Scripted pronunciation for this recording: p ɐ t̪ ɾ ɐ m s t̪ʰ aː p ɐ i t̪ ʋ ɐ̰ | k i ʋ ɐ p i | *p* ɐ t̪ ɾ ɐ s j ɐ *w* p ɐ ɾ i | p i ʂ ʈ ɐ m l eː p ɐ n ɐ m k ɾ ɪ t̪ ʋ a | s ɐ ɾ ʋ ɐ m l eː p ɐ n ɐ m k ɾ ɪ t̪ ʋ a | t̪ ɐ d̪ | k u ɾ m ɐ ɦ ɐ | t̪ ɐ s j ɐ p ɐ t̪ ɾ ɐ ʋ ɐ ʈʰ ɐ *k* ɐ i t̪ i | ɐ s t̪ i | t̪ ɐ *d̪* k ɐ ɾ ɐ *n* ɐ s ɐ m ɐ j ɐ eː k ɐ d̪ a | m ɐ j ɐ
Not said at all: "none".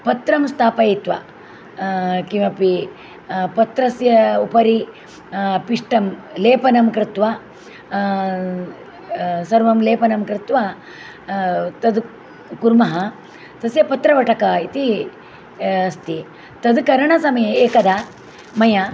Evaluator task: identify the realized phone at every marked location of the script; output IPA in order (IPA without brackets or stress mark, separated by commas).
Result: p, u, k, d̪, ɳ